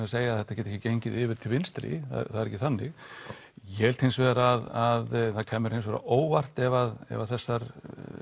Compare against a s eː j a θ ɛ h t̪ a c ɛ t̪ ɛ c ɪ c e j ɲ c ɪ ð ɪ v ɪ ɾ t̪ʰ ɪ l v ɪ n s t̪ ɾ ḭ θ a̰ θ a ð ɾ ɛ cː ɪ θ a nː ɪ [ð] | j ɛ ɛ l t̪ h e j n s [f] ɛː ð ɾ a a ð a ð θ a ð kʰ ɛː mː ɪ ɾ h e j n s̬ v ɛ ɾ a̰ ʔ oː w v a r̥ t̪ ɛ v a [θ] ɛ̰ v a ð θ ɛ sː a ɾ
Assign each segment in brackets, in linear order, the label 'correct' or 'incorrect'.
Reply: incorrect, incorrect, incorrect

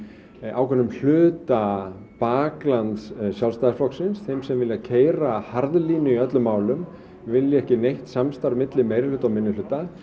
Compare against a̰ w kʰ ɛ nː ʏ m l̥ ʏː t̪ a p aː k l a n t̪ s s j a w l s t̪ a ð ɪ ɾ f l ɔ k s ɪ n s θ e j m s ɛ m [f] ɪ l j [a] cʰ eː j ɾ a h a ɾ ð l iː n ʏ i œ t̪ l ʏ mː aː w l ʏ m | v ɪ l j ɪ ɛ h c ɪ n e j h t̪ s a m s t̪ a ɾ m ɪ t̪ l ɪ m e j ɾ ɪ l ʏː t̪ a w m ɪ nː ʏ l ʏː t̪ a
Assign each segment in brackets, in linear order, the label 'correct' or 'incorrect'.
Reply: incorrect, correct

